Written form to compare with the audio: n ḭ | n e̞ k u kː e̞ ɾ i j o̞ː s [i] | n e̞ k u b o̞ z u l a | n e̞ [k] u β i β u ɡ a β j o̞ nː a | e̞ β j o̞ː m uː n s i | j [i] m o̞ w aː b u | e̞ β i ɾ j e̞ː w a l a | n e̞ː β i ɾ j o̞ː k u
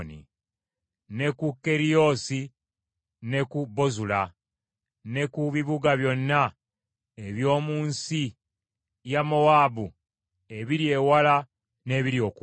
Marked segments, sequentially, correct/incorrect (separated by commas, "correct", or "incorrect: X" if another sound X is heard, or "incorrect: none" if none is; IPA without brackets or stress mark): correct, correct, incorrect: a